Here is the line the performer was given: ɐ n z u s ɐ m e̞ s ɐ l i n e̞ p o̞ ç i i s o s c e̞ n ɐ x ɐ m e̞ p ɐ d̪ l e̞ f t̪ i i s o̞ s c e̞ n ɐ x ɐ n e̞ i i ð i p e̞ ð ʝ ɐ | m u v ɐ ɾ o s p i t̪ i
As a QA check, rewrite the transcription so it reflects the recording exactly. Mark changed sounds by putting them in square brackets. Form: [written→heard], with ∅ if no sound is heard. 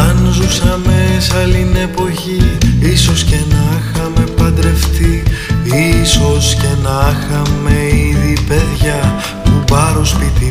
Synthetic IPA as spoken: ɐ n z u s ɐ m e̞ s ɐ l i n e̞ p o̞ ç i i s o s c e̞ n ɐ x ɐ m e̞ p ɐ d̪ [l→ɾ] e̞ f t̪ i i s o̞ s c e̞ n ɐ x ɐ [n→m] e̞ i i ð i p e̞ ð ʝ ɐ | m u [v→b] ɐ ɾ o s p i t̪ i